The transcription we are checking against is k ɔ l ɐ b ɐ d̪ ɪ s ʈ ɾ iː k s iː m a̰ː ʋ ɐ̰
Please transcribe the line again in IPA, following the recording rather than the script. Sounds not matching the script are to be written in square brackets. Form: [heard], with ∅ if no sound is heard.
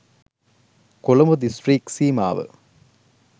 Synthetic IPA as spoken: k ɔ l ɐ [m] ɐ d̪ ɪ s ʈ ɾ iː k s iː m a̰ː ʋ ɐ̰